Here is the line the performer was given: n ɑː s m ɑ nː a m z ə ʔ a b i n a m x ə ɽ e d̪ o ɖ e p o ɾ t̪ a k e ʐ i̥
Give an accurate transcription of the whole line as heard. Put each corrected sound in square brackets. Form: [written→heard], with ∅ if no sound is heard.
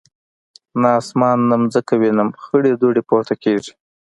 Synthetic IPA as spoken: n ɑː s m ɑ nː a m z ə [ʔ→k] a [b→w] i n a m x ə ɽ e d̪ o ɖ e p o ɾ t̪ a k e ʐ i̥

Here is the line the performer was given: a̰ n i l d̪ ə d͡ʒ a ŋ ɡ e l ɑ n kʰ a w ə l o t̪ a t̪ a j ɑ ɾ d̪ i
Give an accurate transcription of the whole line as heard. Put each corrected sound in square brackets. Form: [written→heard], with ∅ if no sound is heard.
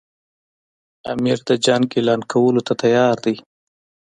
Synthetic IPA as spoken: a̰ [n→m] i [l→ɾ] d̪ ə d͡ʒ a ŋ ɡ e l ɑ n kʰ a w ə l o t̪ a t̪ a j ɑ ɾ d̪ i

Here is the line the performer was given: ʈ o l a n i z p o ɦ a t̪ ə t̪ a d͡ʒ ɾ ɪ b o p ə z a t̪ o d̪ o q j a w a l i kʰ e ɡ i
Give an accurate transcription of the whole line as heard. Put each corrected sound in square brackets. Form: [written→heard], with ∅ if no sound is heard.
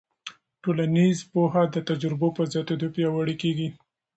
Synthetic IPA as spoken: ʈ o l a n i z p o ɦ a [t̪→d̪] ə t̪ a d͡ʒ ɾ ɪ b o p ə z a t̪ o d̪ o [q→p] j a w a [l→ɽ] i [kʰ→k] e ɡ i

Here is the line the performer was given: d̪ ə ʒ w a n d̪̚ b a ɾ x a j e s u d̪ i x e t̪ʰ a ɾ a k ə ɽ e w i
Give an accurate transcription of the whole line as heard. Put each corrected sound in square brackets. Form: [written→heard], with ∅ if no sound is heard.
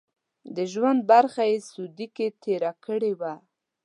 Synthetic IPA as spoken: d̪ ə ʒ w a n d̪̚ b a ɾ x a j e s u d̪ i [x→k] e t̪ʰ [a→e] ɾ a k ə ɽ e w [i→a]

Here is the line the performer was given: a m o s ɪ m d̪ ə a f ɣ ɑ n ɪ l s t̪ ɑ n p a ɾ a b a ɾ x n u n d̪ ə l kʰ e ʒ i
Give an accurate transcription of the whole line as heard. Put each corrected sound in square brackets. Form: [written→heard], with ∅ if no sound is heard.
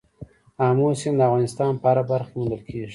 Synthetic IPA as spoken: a m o s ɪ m d̪ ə a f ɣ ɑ n ɪ [l→∅] s t̪ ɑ n p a ɾ a b a ɾ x [n→m] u n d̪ ə l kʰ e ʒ i

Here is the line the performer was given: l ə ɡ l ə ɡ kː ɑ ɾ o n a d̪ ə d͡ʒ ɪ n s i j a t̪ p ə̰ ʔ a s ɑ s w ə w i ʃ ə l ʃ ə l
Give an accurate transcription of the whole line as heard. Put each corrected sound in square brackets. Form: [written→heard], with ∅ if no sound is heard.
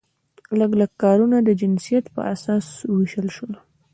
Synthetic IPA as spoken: l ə ɡ l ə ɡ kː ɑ ɾ [o→u] n a d̪ ə d͡ʒ ɪ n s i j a t̪ p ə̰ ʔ a s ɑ s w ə w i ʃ ə l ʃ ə l

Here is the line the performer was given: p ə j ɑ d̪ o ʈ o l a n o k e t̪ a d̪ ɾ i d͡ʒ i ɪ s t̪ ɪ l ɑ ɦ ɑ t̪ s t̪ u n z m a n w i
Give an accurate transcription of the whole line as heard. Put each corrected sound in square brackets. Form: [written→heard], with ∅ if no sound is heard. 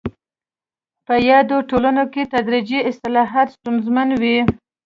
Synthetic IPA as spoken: p ə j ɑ d̪ o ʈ o l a n o k e t̪ a d̪ ɾ i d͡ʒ i ɪ s t̪ ɪ l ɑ ɦ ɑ t̪ s t̪ u n z m a n w i

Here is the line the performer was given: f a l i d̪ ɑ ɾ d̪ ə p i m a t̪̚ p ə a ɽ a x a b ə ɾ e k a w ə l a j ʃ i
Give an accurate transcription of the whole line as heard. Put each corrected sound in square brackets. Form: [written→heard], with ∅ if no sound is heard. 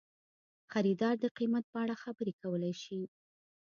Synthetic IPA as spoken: [f→x] a [l→ɾ] i d̪ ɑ ɾ d̪ ə [p→q] i m a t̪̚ p ə a ɽ a x a b ə ɾ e k a w ə l a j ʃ i

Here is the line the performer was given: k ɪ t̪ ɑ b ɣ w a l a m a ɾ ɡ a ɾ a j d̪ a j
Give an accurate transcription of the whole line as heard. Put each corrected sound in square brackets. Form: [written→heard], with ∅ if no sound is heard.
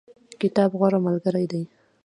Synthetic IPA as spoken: k ɪ t̪ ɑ b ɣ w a [l→ɾ] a m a [ɾ→l] ɡ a ɾ a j d̪ a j

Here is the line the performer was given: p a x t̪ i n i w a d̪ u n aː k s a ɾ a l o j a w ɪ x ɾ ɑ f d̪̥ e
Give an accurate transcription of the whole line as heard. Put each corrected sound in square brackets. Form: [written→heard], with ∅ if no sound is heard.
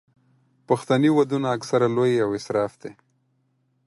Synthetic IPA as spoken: p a x t̪ [i→a] n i w a d̪ u n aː k s a ɾ a l o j a w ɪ [x→s] ɾ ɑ f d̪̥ e

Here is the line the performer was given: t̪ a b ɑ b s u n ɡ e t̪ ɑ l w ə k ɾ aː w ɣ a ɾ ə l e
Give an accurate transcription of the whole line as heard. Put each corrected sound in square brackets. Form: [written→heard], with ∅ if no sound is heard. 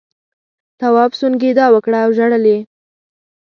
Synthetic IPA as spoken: t̪ a [b→w] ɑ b s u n ɡ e [t̪→d̪] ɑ [l→∅] w ə k [ɾ→ɽ] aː w [ɣ→ʒ] a [ɾ→ɽ] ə l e

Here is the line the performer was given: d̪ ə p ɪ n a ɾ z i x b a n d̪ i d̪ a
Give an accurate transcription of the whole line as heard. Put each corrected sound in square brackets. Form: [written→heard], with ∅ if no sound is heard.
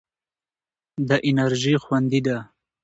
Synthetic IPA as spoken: d̪ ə [p→ʔ] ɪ n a ɾ [z→ʒ] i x [b→w] a n d̪ i d̪ a

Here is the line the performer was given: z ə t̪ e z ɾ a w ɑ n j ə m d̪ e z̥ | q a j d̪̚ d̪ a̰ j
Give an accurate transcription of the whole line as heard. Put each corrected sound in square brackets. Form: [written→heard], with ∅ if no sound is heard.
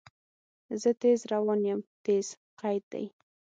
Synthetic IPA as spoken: z ə t̪ e z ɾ a w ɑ n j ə m [d̪→t̪] e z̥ | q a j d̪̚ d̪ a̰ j

